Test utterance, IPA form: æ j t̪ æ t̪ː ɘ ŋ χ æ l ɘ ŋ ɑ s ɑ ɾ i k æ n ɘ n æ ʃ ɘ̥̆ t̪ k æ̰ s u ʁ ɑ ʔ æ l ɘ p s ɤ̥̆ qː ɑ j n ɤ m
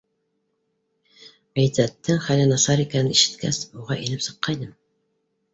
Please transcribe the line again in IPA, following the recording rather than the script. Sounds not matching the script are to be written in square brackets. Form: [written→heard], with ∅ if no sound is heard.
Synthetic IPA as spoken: æ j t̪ æ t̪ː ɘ ŋ χ æ l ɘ [ŋ→n] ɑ s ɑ ɾ i k æ n ɘ n [æ→i] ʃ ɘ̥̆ t̪ k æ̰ s u ʁ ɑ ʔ [æ→i] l ɘ p s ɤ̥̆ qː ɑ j n ɤ m